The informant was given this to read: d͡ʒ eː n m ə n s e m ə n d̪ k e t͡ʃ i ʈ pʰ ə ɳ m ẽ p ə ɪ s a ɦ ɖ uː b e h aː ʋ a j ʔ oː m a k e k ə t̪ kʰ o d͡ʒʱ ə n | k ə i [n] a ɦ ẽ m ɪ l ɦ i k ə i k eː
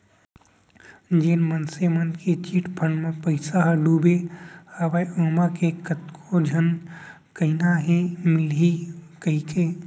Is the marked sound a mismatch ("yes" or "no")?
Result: no